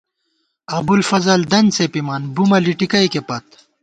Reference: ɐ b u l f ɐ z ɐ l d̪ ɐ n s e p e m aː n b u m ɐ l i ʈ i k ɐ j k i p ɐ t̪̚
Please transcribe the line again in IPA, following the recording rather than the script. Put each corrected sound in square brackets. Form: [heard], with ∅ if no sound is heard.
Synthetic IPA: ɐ b u l f ɐ z ɐ l d̪ ɐ n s e p [i] m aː n b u m ɐ l i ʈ i k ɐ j k [e] p ɐ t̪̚